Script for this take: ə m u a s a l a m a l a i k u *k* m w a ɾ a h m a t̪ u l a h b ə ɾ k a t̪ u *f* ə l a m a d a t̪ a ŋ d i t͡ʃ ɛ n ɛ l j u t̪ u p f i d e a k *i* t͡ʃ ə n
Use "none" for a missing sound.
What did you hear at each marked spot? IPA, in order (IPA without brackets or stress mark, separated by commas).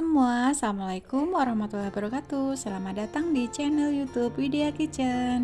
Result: none, s, i